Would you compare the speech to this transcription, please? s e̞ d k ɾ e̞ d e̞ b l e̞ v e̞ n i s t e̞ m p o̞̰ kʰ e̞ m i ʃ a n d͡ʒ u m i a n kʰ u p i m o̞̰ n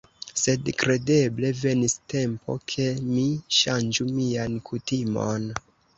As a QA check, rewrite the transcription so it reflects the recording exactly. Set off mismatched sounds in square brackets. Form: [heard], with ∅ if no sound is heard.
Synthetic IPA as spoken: s e̞ d k ɾ e̞ d e̞ b l e̞ v e̞ n i s t e̞ m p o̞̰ kʰ e̞ m i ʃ a n d͡ʒ u m i a n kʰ u [t] i m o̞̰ n